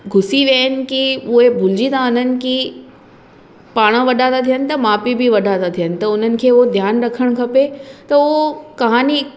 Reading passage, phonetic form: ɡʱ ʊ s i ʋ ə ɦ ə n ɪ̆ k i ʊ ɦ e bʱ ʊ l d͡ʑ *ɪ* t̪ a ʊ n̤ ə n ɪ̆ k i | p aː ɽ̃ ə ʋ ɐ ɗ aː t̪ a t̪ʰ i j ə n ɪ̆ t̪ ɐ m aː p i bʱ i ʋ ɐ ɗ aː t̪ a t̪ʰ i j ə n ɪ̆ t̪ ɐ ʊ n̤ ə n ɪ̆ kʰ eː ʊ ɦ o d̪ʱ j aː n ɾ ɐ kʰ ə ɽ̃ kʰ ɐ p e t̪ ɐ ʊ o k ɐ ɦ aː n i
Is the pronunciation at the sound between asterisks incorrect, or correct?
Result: incorrect